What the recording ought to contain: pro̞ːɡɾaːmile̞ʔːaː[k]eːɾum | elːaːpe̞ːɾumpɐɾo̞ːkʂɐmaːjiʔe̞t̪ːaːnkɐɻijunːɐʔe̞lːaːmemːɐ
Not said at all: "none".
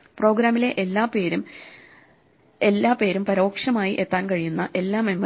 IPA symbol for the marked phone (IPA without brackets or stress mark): p